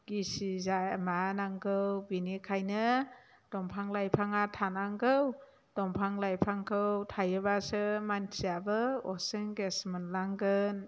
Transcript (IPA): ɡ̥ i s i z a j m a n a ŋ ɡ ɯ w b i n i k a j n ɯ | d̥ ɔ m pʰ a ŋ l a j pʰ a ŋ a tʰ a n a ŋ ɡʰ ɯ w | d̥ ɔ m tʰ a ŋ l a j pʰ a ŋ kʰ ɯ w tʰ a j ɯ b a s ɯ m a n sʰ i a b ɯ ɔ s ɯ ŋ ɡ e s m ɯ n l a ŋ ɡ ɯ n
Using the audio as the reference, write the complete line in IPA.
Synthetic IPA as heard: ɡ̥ i s i z a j m a n a ŋ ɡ ɯ w b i n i kʰ a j n ɯ | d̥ ɔ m pʰ a ŋ l a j pʰ a ŋ a tʰ a n a ŋ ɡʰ ɯ w | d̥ ɔ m pʰ a ŋ l a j pʰ a ŋ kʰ ɯ w tʰ a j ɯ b a s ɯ m a n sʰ i a b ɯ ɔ s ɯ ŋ ɡ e s m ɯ n l a ŋ ɡ ɯ n